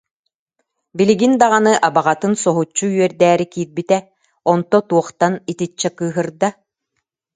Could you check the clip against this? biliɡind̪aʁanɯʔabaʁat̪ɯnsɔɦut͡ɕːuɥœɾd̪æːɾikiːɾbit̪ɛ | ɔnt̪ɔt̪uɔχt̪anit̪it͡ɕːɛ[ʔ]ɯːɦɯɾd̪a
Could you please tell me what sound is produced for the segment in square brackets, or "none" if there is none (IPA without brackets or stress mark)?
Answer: k